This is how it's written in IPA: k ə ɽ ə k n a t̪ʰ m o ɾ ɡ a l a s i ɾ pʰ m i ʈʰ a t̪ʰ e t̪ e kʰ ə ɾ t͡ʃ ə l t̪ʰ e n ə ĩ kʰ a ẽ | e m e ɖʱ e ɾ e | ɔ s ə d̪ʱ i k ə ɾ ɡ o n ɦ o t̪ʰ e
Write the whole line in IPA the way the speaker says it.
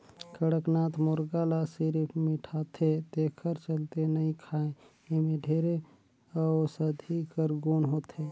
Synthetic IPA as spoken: k ə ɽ ə k n a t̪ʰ m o ɾ ɡ a l a s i ɾ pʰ m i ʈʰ a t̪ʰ e t̪ e kʰ ə ɾ t͡ʃ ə l t̪ e n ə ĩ kʰ a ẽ | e m e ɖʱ e ɾ e | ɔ s ə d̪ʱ i k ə ɾ ɡ o n ɦ o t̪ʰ e